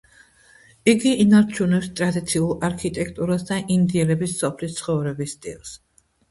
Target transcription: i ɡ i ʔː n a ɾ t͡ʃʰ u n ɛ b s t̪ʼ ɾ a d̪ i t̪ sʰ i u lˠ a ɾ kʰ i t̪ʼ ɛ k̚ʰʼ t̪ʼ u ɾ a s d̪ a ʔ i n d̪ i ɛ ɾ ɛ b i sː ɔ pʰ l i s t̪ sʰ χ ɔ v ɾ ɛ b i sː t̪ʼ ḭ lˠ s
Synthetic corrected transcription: i ɡ i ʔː n a ɾ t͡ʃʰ u n ɛ p s t̪ʼ ɾ a d̪ i t̪ sʰ i u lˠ a ɾ kʰ i t̪ʼ ɛ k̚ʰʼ t̪ʼ u ɾ a s d̪ a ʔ i n d̪ i ɛ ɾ ɛ b i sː ɔ pʰ l i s t̪ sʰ χ ɔ v ɾ ɛ b i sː t̪ʼ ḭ lˠ s